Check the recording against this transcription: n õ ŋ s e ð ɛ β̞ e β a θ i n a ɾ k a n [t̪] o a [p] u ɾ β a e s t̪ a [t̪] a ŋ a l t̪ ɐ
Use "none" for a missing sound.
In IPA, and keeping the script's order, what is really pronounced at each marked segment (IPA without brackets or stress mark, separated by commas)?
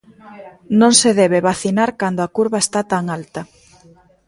d̪, k, t̪